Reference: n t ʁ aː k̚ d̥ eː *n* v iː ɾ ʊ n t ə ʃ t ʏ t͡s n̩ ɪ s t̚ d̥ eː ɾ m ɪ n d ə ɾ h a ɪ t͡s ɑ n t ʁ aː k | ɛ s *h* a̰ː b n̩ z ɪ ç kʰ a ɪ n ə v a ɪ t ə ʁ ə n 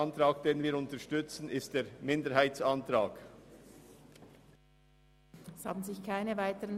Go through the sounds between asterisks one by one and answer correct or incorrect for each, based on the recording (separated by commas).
correct, correct